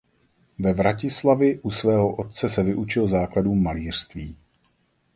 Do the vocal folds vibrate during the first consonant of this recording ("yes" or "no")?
yes